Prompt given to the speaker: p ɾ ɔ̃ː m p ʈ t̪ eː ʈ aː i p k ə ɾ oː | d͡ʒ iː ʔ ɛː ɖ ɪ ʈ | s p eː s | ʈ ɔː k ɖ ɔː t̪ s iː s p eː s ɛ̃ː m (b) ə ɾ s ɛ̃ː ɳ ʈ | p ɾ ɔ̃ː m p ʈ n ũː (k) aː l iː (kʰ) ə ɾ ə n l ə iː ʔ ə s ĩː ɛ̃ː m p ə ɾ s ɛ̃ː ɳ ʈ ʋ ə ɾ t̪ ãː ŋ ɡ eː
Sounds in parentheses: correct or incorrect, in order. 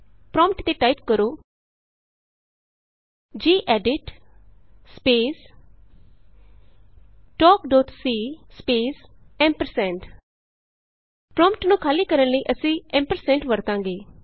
incorrect, incorrect, incorrect

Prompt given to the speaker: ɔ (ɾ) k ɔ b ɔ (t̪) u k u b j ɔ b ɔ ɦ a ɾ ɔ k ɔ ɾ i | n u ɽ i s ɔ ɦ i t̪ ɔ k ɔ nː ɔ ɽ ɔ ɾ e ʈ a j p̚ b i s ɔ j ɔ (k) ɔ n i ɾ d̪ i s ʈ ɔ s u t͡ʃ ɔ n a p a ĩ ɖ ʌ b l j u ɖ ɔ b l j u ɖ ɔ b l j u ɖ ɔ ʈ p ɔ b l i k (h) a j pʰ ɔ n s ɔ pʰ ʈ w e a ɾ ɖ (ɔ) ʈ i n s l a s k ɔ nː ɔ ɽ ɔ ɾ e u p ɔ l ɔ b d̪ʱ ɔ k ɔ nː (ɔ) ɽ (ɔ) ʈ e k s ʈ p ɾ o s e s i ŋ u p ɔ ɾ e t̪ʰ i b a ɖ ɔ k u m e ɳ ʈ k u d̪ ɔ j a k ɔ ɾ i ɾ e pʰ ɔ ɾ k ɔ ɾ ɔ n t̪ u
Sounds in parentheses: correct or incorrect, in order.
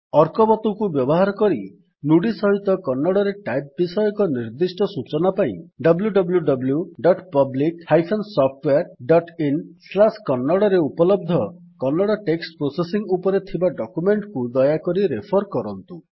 correct, correct, correct, correct, correct, correct, correct

